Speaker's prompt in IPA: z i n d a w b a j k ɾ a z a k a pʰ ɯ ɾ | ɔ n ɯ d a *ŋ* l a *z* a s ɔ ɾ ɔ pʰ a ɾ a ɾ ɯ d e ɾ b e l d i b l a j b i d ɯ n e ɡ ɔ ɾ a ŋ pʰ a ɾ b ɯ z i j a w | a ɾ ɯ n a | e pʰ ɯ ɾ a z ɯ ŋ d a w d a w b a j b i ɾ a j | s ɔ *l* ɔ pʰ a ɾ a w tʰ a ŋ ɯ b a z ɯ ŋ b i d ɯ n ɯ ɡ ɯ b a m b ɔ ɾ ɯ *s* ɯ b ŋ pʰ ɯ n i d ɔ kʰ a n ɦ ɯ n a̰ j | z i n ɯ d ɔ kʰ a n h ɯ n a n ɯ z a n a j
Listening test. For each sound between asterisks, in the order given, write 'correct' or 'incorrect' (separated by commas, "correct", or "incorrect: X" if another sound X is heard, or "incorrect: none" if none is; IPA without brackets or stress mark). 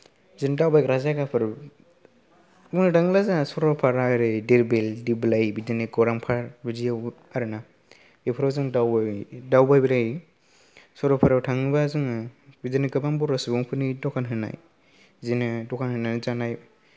correct, correct, incorrect: ɾ, correct